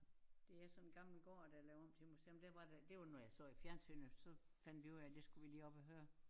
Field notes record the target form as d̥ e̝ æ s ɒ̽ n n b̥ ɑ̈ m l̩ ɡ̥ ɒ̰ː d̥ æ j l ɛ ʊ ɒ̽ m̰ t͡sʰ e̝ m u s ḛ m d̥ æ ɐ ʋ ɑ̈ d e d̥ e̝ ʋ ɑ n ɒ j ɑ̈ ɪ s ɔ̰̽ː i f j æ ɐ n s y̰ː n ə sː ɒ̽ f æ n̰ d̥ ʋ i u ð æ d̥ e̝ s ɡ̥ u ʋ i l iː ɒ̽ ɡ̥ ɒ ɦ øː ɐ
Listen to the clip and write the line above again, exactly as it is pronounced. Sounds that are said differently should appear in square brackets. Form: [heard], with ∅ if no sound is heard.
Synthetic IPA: d̥ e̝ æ s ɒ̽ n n [ɡ̥] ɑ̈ m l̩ ɡ̥ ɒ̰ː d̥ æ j l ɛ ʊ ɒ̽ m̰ t͡sʰ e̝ m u s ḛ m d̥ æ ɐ ʋ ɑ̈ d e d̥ e̝ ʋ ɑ n ɒ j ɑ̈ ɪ s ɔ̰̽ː i f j æ ɐ n s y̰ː n ə [s] ɒ̽ f æ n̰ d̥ ʋ i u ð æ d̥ e̝ s ɡ̥ u ʋ i l iː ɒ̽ [b̥] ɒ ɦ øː ɐ